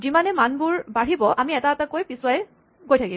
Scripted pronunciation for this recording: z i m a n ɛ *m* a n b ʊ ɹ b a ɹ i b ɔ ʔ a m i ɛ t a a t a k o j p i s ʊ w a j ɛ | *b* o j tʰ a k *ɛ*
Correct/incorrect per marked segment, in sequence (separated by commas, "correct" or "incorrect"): correct, incorrect, incorrect